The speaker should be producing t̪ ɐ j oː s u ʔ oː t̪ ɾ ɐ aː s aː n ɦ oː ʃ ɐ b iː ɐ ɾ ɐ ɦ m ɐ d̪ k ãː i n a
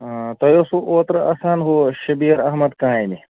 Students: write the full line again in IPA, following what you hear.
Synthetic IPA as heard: t̪ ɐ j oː s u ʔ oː t̪ ɾ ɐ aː s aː n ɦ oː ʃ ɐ b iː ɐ ɾ ɐ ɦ m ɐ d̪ k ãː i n i